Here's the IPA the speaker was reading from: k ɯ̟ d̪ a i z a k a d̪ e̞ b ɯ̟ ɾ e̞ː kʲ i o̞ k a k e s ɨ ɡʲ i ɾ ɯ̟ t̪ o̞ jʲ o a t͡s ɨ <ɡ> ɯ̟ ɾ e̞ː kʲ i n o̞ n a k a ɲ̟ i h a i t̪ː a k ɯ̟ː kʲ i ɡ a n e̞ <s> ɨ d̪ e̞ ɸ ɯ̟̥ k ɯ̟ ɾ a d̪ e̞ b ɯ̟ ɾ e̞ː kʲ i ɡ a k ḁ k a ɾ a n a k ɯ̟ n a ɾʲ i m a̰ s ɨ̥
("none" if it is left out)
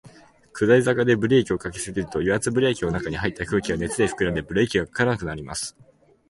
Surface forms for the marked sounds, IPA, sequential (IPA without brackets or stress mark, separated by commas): b, t͡s